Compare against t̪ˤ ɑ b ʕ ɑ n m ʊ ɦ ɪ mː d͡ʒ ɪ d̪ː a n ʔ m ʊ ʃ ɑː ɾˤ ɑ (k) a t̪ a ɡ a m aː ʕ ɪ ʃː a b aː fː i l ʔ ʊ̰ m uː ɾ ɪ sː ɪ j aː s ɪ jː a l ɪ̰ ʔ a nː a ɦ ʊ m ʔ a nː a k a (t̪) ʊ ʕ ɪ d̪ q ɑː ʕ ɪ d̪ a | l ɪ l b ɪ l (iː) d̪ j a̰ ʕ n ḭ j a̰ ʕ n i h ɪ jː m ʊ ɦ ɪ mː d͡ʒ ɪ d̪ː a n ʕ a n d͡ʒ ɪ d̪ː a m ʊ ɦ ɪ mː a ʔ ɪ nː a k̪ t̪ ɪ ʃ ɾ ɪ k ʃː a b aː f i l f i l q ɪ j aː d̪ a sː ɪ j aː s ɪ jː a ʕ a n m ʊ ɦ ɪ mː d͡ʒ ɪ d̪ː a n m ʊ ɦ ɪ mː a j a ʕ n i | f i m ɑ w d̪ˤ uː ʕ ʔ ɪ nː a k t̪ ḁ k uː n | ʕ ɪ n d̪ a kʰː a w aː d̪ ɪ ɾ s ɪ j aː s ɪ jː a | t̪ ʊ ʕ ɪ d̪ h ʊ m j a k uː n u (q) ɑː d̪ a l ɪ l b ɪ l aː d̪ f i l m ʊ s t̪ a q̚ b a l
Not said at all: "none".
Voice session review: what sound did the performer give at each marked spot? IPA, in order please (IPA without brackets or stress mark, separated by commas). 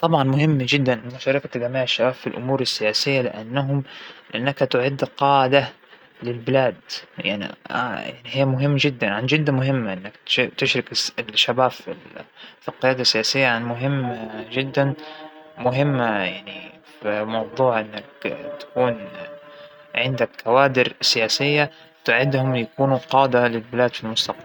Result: k, t̪, aː, q